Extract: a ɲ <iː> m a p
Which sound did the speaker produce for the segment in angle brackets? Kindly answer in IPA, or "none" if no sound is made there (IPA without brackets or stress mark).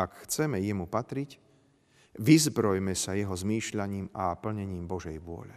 iː